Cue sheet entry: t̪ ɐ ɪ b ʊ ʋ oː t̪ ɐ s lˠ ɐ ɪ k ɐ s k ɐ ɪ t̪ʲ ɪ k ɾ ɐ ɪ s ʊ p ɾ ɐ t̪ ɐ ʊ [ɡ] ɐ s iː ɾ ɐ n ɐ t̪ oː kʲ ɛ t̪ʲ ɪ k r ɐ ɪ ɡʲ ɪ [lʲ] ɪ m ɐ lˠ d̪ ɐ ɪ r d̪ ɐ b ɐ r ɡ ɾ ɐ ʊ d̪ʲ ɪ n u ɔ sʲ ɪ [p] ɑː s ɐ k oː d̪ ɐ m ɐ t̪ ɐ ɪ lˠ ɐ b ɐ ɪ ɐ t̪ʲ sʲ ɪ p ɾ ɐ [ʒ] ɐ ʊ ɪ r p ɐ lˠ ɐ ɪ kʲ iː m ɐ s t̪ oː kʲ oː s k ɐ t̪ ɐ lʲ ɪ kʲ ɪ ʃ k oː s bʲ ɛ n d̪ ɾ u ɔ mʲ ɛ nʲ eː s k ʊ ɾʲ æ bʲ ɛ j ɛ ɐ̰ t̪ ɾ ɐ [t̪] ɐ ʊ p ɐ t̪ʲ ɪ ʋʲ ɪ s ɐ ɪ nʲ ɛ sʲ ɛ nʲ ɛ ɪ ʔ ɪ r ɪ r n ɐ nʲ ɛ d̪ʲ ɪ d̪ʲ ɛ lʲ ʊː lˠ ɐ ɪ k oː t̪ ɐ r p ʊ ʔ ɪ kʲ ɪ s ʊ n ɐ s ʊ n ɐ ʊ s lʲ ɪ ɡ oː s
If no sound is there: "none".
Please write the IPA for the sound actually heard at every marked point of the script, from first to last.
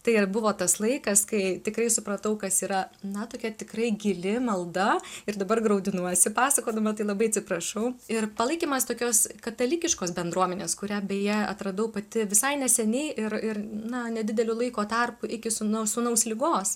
k, lʲ, p, ʃ, d̪

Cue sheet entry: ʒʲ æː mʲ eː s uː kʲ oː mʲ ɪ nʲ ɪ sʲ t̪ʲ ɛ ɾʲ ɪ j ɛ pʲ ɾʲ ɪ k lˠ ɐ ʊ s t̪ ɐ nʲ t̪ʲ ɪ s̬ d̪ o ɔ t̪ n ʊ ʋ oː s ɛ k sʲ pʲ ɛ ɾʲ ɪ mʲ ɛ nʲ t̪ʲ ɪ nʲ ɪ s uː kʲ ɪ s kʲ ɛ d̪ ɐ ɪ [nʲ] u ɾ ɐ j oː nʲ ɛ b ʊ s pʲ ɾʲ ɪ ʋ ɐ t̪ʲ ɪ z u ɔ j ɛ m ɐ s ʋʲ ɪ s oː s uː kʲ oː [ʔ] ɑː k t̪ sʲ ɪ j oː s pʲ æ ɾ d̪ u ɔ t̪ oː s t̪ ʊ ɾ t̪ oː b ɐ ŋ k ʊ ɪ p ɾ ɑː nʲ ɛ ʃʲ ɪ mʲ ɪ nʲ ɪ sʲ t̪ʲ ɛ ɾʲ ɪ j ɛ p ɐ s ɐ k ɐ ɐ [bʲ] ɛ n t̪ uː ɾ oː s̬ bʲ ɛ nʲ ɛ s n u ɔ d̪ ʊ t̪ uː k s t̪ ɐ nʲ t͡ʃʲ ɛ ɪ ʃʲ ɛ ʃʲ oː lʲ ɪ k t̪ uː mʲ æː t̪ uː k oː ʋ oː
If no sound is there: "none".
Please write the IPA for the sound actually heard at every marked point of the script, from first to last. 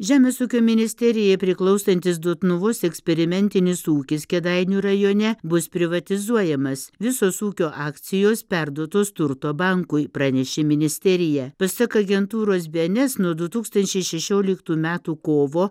nʲ, ʔ, ɡʲ

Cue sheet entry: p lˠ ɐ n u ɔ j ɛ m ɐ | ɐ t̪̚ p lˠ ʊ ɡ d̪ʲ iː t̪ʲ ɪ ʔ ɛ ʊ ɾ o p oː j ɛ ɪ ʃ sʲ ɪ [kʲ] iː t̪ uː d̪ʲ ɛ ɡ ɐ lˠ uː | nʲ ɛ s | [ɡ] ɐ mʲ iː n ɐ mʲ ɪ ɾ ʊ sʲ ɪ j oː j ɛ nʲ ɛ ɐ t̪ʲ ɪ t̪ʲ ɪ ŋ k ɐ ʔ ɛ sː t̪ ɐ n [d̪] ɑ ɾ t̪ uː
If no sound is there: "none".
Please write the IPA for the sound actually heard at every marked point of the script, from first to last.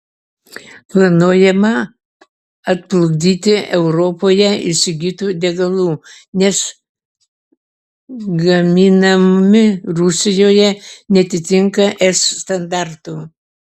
ɡʲ, ɡ, d̪

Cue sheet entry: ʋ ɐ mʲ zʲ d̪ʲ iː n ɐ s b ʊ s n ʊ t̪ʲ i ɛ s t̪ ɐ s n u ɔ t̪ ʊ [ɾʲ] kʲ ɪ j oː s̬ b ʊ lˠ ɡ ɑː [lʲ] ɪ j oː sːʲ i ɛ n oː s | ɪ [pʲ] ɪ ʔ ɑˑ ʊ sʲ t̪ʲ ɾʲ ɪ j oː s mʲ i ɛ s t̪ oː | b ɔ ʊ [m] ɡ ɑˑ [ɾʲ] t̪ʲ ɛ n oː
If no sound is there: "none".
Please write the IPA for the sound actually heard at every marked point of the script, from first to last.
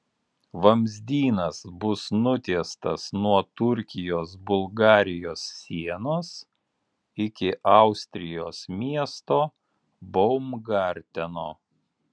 ɾʲ, ɾʲ, kʲ, m, ɾʲ

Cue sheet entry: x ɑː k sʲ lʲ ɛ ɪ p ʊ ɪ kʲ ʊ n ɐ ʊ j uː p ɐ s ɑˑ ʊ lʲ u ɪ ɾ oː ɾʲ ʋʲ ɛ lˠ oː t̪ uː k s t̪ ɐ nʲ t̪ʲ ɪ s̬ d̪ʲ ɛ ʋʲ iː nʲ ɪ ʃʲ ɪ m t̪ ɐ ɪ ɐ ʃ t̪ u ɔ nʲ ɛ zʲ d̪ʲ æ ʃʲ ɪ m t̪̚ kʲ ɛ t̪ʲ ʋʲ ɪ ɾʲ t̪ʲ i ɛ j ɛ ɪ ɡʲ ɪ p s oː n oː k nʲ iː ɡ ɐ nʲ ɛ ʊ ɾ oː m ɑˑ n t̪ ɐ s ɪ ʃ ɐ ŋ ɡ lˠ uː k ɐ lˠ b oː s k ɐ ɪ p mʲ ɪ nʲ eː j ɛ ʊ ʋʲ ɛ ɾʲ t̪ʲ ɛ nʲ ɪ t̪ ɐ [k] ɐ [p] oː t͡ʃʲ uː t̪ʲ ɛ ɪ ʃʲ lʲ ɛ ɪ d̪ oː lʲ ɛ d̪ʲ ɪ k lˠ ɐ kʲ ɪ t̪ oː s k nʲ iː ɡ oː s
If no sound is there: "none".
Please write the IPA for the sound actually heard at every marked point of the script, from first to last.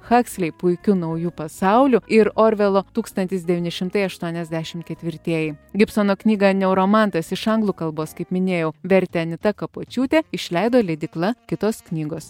k, p

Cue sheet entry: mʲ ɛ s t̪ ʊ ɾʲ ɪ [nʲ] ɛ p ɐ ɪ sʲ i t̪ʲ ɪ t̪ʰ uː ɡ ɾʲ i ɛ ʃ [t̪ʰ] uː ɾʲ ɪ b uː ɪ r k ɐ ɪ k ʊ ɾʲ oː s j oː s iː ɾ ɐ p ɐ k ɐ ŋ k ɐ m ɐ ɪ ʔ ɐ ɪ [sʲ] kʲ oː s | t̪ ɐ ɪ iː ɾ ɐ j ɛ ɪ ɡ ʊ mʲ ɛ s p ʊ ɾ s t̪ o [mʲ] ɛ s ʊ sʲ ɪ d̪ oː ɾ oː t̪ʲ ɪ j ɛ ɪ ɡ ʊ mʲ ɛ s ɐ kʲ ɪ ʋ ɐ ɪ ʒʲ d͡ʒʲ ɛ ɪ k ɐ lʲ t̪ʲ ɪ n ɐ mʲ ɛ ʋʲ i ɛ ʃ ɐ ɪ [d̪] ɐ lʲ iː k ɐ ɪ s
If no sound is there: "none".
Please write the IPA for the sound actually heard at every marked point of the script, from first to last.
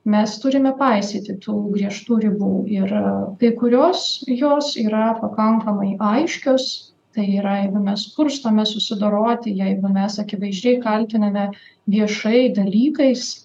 mʲ, t̪, ʃʲ, mʲ, d̪

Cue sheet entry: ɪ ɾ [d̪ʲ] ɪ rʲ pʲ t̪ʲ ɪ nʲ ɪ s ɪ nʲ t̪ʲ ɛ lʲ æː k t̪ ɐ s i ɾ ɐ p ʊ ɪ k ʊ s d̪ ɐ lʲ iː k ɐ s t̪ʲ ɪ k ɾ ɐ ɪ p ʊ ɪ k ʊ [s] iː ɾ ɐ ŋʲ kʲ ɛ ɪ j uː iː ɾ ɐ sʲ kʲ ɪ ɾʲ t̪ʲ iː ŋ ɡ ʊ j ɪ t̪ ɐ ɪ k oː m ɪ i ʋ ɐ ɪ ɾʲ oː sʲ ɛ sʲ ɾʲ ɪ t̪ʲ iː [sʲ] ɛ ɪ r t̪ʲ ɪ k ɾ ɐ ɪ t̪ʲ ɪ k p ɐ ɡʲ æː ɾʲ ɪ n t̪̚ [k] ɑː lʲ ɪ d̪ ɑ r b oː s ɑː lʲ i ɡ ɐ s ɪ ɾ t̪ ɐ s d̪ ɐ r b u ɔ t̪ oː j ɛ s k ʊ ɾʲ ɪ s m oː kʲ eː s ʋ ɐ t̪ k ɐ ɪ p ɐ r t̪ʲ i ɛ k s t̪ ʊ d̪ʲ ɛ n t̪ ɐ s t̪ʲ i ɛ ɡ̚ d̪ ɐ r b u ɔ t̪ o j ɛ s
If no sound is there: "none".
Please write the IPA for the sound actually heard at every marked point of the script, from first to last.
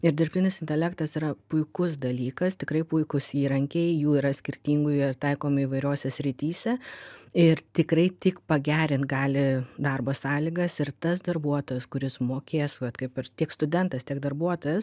d̪ʲ, s, sʲ, ɡ

